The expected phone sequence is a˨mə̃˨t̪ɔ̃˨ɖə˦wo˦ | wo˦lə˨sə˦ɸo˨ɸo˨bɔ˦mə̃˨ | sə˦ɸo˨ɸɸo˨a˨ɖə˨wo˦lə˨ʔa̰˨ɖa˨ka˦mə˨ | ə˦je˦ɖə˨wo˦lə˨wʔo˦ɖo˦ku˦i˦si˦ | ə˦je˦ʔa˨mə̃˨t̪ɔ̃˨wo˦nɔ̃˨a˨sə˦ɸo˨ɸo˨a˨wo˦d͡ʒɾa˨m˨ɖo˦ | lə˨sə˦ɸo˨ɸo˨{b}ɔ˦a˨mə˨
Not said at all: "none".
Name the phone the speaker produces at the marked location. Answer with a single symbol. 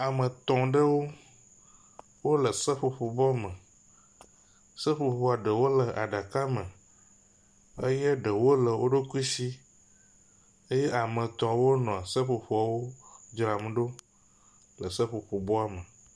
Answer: b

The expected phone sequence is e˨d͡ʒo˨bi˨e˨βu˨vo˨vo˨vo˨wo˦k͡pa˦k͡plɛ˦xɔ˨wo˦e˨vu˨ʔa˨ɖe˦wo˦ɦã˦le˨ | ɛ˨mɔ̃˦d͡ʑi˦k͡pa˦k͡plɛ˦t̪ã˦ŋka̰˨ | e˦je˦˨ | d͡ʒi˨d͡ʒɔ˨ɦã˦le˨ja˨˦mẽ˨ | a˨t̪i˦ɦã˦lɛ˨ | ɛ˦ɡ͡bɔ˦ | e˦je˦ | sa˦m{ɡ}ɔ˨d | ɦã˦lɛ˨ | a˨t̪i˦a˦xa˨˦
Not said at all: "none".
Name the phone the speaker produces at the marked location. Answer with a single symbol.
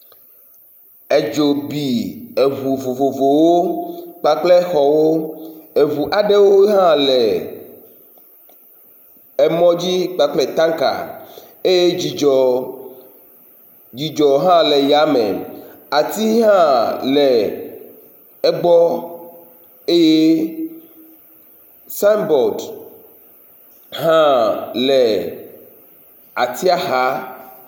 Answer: b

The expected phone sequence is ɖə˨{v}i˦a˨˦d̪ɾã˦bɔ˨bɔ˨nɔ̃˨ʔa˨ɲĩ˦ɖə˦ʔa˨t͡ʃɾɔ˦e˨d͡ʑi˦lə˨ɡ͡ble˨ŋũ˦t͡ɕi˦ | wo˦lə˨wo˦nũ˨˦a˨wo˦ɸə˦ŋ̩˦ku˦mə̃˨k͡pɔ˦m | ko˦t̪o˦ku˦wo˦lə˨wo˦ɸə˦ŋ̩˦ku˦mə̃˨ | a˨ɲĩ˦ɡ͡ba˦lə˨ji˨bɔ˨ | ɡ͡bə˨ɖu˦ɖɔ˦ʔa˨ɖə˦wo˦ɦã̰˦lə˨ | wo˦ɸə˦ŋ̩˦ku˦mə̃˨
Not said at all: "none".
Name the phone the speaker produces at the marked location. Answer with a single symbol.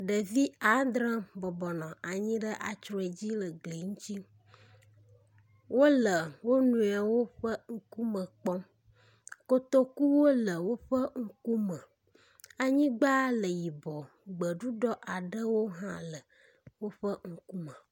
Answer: v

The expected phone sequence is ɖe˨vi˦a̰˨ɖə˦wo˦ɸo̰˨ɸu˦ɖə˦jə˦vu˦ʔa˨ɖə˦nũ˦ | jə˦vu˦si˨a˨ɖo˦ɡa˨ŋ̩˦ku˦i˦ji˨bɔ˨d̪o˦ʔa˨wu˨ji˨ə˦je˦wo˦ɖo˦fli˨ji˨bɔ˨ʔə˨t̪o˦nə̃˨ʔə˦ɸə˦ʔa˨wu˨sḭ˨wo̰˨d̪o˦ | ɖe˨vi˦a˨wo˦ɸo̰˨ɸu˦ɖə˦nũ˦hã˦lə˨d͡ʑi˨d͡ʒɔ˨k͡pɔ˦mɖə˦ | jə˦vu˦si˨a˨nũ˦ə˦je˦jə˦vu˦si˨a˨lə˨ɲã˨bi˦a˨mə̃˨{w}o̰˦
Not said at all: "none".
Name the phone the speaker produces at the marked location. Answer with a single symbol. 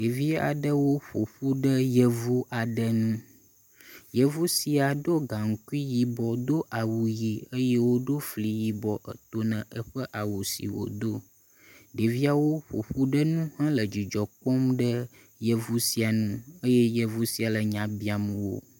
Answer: w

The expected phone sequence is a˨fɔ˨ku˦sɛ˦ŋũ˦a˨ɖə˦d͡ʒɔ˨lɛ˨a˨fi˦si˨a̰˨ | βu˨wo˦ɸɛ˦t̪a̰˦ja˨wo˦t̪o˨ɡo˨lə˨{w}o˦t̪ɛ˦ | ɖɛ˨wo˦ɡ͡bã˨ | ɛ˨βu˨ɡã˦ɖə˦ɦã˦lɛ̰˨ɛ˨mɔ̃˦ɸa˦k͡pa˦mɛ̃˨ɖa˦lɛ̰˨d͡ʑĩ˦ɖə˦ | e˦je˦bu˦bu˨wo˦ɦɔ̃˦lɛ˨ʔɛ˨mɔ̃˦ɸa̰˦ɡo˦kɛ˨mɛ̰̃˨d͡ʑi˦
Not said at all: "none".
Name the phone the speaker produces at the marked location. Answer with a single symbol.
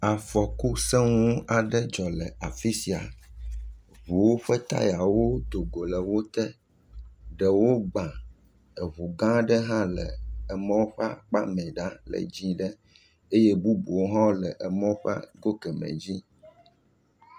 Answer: w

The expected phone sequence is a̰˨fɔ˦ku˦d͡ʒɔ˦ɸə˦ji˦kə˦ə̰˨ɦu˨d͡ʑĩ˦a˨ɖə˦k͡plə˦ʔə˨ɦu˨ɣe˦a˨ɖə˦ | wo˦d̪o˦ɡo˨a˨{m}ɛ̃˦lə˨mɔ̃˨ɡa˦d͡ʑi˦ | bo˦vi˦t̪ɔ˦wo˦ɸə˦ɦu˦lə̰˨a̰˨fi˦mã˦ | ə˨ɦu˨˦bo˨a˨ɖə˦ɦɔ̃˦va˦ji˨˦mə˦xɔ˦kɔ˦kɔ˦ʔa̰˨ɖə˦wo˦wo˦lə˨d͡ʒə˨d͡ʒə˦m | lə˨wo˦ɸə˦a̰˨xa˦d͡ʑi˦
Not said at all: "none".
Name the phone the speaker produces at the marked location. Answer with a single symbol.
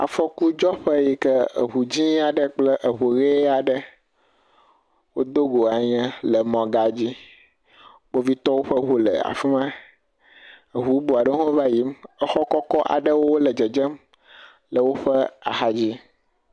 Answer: ɲ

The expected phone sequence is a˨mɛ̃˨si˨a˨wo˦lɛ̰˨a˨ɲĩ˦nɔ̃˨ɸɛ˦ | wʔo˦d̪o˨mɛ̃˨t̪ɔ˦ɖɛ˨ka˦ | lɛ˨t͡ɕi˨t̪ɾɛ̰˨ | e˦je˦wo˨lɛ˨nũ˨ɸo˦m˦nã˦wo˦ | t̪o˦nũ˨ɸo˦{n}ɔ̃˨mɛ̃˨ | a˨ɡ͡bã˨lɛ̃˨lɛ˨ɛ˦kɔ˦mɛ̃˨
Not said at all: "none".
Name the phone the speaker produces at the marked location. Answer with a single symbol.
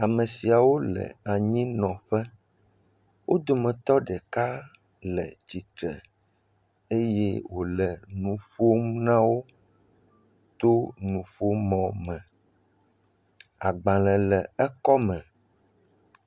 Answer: m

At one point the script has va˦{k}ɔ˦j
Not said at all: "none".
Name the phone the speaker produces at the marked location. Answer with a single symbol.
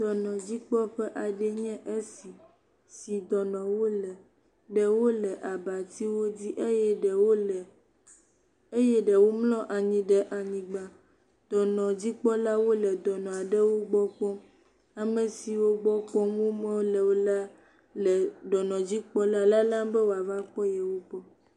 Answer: k͡p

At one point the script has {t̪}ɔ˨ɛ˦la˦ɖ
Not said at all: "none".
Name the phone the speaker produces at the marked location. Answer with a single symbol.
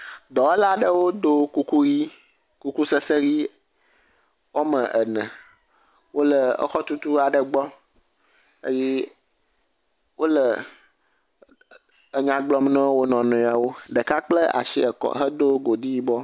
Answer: d̪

